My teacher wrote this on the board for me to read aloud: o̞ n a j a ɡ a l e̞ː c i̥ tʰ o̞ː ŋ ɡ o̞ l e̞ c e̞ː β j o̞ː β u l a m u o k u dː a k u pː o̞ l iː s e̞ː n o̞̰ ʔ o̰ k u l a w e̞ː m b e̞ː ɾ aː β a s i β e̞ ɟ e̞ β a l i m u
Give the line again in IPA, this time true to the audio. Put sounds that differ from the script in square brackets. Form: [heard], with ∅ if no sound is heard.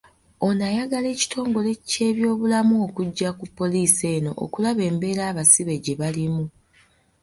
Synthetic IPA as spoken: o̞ n a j a ɡ a l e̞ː c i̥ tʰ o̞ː ŋ ɡ o̞ l e̞ c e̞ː β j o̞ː β u l a m u o k u [ɟː] a k u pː o̞ l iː s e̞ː n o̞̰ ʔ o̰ k u l a [β] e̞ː m b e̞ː ɾ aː β a s i β e̞ ɟ e̞ β a l i m u